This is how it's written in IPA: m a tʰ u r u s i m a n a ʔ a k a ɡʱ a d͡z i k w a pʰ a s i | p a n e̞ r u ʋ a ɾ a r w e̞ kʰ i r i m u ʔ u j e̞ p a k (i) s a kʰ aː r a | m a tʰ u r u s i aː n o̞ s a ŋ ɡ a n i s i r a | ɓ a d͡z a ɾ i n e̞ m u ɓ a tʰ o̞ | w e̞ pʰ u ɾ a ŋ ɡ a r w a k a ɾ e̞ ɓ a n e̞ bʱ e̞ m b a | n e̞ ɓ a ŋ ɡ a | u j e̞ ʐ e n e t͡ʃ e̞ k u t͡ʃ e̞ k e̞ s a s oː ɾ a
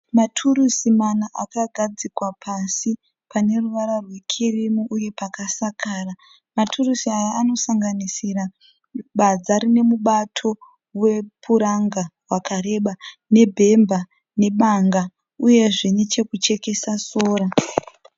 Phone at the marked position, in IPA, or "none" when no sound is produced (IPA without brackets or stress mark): a